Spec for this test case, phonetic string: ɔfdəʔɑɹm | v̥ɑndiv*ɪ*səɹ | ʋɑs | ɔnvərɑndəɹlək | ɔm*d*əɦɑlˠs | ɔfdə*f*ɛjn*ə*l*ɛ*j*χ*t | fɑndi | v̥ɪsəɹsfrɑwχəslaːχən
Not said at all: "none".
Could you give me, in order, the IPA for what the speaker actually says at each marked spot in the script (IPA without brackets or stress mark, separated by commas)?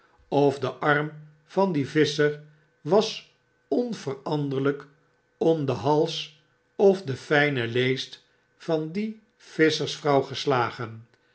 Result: ɪ, d, f, ə, e, s